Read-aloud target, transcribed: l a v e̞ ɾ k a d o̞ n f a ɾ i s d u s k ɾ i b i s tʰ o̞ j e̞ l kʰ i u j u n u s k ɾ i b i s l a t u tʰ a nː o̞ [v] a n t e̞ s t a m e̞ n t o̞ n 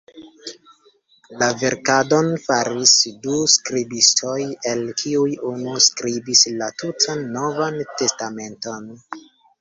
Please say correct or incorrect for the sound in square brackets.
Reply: correct